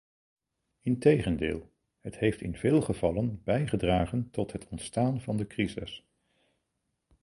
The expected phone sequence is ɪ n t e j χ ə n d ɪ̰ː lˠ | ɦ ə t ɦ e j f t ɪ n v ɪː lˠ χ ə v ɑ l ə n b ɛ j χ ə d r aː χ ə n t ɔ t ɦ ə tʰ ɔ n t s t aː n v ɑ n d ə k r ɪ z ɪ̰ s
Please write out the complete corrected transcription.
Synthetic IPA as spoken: ɪ n t e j χ ə n d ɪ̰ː lˠ | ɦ ə t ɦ e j f t ɪ n v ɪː lˠ χ ə v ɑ l ə n b ɛ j χ ə d r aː χ ə n t ɔ t ɦ ə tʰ ɔ n t s t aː n v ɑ n d ə k r i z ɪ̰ s